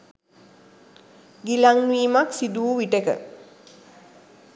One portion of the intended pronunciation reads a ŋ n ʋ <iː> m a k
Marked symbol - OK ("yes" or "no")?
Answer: yes